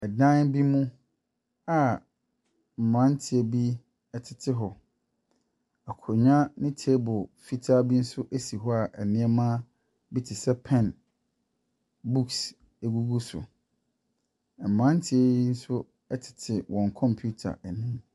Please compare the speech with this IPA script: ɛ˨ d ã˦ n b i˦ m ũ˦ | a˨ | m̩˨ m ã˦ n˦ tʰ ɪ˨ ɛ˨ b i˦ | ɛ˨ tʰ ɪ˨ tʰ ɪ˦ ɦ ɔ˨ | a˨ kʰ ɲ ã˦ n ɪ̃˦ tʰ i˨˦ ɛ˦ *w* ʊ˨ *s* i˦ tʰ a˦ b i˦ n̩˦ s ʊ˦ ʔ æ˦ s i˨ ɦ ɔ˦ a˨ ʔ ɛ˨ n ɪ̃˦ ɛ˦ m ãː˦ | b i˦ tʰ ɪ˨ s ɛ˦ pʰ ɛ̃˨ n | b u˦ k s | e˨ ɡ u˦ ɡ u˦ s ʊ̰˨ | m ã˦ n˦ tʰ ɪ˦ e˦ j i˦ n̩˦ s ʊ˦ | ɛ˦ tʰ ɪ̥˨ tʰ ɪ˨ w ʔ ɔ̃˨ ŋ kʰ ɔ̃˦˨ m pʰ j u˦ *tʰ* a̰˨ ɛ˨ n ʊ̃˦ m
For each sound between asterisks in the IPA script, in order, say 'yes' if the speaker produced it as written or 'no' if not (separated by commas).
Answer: no, no, yes